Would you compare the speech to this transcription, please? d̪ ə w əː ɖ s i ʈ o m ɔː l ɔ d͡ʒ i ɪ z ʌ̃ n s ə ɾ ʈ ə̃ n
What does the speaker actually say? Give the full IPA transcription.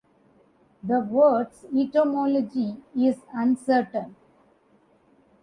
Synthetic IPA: d̪ ə ʋ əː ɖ s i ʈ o m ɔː l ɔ d͡ʒ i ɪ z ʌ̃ n s ə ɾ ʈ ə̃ n